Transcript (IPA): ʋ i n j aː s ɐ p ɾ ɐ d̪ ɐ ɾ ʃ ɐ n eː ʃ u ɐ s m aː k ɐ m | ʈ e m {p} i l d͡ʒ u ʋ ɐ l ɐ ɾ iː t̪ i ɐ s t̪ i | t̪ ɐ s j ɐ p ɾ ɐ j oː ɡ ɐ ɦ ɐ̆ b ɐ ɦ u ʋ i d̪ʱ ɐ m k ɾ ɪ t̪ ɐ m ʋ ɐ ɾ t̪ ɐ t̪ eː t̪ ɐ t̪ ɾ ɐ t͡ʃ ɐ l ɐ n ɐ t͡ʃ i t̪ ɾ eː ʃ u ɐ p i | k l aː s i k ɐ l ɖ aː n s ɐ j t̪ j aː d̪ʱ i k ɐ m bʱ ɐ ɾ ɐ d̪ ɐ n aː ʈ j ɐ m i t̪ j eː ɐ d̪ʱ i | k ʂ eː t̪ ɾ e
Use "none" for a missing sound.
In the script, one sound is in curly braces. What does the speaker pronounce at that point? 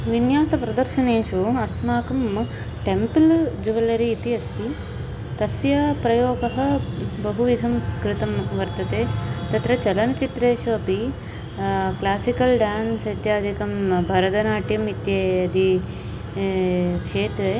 p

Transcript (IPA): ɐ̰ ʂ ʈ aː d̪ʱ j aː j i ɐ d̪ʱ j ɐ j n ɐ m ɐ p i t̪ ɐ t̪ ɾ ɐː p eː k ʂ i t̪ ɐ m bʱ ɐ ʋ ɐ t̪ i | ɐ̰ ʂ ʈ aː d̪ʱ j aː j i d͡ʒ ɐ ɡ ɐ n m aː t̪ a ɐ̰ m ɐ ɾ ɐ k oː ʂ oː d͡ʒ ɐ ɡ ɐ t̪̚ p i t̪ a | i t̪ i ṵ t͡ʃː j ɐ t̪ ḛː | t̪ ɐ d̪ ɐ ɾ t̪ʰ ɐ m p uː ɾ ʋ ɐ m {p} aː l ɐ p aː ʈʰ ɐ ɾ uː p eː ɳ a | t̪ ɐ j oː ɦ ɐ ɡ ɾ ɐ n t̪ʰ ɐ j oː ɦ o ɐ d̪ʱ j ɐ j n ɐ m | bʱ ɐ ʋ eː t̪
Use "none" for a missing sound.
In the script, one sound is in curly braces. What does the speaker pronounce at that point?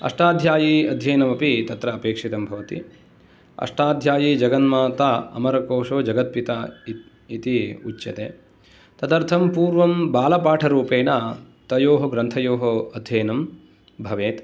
b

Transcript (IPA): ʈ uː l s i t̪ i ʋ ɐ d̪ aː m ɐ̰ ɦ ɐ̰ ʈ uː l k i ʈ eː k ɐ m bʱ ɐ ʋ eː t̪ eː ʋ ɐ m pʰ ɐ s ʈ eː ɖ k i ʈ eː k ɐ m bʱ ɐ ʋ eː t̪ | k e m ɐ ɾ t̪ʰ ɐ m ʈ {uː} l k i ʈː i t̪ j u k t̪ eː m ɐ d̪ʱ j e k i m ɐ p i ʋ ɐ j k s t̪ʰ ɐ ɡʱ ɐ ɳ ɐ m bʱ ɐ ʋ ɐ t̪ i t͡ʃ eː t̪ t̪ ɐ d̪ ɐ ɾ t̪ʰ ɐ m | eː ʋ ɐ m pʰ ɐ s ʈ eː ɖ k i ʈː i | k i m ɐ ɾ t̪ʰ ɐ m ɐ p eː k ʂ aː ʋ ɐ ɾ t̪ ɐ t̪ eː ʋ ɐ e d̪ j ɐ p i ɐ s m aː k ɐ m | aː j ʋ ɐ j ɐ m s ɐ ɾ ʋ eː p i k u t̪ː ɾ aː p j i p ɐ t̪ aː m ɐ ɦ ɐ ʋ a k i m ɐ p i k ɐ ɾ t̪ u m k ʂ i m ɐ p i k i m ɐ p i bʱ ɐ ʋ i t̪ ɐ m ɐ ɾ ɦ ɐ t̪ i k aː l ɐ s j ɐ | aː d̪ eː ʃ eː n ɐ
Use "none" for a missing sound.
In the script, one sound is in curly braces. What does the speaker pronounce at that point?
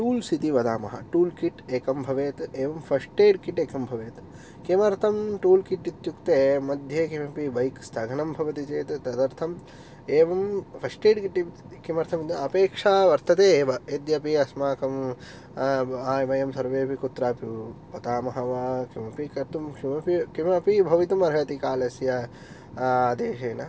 uː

